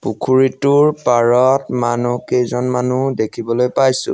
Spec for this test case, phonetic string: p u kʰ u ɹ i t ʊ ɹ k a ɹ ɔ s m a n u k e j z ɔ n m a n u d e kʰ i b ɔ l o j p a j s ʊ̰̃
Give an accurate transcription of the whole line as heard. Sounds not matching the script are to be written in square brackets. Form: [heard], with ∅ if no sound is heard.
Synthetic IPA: p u kʰ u ɹ i t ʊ ɹ [p] a ɹ ɔ [t] m a n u k e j z ɔ n m a n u d e kʰ i b ɔ l o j p a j s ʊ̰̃